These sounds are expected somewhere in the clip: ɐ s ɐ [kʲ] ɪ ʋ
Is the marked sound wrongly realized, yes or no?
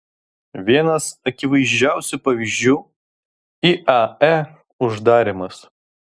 no